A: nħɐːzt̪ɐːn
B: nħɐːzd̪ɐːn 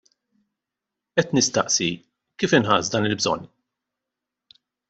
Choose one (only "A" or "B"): B